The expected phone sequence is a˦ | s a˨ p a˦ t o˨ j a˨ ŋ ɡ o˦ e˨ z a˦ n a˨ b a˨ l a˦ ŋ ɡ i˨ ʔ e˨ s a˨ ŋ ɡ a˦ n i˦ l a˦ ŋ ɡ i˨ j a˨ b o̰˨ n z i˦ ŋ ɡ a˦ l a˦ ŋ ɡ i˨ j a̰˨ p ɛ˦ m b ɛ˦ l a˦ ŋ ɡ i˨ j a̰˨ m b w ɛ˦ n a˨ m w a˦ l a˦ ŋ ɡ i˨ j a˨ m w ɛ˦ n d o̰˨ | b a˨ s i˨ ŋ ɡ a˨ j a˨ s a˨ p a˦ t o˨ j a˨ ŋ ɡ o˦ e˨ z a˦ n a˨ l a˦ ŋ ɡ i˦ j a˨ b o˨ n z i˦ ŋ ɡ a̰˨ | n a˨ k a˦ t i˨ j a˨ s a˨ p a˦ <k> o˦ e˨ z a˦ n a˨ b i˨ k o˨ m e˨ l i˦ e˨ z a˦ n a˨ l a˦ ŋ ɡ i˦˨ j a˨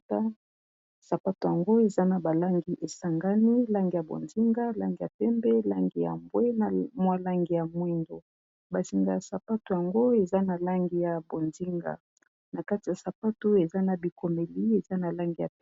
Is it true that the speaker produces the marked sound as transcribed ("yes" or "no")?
no